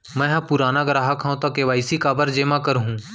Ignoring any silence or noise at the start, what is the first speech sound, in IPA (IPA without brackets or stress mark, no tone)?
m